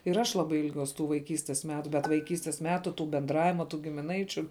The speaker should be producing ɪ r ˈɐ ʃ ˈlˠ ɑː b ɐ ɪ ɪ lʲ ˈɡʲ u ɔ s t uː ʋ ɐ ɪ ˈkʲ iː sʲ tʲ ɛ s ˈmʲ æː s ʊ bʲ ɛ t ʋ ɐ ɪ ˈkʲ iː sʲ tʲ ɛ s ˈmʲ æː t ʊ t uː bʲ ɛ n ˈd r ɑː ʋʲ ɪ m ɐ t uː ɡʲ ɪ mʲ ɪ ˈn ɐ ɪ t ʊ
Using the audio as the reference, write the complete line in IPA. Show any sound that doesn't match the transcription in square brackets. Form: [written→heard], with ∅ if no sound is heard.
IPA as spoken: ɪ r ˈɐ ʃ ˈlˠ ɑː b ɐ ɪ ɪ lʲ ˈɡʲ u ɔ s t uː ʋ ɐ ɪ ˈkʲ iː sʲ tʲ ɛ s ˈmʲ æː [s→t] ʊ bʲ ɛ t ʋ ɐ ɪ ˈkʲ iː sʲ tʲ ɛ s ˈmʲ æː t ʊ t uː bʲ ɛ n ˈd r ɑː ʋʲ ɪ m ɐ t uː ɡʲ ɪ mʲ ɪ ˈn ɐ ɪ [t→t͡ʃʲ] ʊ

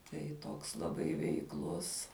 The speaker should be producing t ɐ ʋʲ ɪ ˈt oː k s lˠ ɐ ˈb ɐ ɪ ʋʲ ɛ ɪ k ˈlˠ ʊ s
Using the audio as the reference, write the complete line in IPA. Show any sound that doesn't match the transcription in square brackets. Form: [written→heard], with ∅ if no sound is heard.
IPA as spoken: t ɐ [ʋʲ→∅] ɪ ˈt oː k s lˠ ɐ ˈb ɐ ɪ ʋʲ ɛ ɪ k ˈlˠ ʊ s

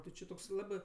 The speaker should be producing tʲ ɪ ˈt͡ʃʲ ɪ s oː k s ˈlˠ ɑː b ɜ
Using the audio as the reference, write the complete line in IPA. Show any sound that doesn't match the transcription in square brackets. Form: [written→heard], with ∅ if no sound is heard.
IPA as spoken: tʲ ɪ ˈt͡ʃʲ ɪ [s→t] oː k s ˈlˠ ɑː b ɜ

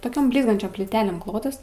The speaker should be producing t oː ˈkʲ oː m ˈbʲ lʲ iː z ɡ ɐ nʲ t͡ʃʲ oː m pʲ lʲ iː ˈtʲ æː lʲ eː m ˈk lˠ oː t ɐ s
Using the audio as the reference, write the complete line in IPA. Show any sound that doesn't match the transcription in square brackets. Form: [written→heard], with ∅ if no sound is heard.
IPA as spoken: t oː ˈkʲ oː m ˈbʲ lʲ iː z ɡ ɐ nʲ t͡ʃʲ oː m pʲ lʲ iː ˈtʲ æː lʲ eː m ˈk lˠ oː t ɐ s

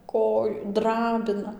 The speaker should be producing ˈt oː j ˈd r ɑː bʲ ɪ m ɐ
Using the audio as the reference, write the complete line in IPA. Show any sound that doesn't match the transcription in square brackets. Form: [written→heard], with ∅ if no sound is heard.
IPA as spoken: [ˈt→ˈk] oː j ˈd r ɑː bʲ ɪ [m→n] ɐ

